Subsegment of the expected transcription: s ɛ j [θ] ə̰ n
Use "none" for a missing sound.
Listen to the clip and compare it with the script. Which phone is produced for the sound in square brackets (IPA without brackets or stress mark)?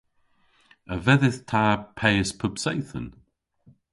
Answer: θ